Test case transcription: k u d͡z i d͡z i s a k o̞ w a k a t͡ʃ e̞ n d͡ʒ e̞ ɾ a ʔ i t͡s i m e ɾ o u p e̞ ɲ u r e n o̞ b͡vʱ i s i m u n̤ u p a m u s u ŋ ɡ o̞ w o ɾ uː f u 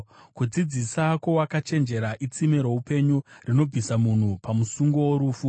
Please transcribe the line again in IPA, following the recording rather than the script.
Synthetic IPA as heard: k u d͡z i d͡z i s a k o̞ w a k a t͡ʃ e̞ n d͡ʒ e̞ ɾ a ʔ i t͡s i m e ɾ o u p e̞ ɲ u r i n o̞ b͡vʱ i s a m u n̤ u p a m u s u ŋ ɡ o̞ w o ɾ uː f u